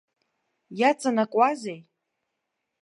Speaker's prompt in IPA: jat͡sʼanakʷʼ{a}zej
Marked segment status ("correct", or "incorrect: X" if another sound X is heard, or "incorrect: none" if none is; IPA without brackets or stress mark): correct